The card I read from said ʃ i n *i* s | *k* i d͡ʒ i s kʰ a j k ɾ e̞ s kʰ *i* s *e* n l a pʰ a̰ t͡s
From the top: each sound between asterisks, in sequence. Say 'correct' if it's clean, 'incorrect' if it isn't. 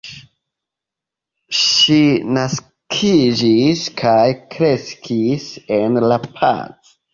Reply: incorrect: a, incorrect: kʰ, correct, correct

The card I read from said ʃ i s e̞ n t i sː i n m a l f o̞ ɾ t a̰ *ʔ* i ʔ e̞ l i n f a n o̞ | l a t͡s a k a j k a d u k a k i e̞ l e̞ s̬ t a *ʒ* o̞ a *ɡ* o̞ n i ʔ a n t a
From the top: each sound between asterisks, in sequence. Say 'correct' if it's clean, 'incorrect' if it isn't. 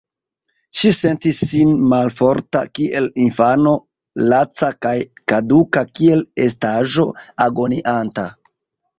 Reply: incorrect: k, correct, correct

